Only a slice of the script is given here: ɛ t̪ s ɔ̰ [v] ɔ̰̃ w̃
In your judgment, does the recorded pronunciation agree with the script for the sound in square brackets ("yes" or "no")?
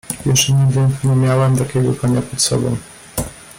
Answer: no